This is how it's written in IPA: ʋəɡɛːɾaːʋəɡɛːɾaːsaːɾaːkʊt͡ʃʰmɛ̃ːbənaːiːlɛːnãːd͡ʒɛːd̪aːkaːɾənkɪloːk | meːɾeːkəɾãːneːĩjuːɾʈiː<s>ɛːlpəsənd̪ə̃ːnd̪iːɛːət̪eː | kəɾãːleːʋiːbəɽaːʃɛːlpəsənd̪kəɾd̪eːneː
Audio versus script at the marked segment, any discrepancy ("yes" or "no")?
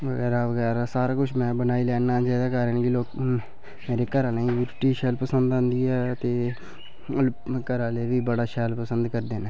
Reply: yes